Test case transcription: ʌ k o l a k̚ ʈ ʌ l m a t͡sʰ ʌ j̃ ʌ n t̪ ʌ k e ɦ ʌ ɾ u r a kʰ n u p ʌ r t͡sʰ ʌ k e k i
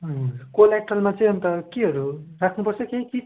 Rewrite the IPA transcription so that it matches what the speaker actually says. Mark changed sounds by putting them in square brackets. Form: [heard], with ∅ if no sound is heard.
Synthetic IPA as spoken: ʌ k o l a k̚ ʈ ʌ l m a [t͡s] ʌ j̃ ʌ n t̪ ʌ k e ɦ ʌ ɾ u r a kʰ n u p ʌ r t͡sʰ ʌ k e k i